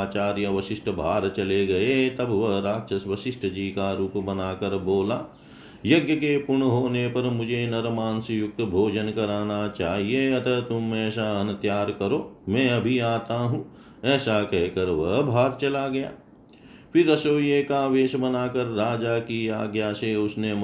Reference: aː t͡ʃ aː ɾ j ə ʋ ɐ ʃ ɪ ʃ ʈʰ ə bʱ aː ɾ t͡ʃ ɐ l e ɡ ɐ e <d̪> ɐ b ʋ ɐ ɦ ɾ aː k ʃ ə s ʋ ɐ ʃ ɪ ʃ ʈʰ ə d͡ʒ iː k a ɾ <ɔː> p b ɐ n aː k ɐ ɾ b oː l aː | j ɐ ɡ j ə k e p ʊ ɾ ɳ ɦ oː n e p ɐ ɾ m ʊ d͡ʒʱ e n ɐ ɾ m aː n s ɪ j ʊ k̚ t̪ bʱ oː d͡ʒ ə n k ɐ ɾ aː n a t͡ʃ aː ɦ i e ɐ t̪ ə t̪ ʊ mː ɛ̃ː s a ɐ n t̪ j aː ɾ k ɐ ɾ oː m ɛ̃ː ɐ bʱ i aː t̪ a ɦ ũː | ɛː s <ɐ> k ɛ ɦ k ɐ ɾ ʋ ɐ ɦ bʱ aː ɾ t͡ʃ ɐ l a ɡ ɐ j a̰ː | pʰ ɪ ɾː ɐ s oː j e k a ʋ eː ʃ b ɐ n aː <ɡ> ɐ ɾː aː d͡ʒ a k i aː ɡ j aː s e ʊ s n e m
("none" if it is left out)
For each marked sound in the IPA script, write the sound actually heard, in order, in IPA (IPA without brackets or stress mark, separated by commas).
t̪, uː, a, k